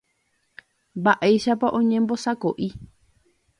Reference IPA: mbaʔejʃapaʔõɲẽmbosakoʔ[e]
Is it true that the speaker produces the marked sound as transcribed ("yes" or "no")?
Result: no